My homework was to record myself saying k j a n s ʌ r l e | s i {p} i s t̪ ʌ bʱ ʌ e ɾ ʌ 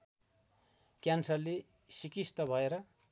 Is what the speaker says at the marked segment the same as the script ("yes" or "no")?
no